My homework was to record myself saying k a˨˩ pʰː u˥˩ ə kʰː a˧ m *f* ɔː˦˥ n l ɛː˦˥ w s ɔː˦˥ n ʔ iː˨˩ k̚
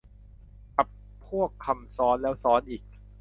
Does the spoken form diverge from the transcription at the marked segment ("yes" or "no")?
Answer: yes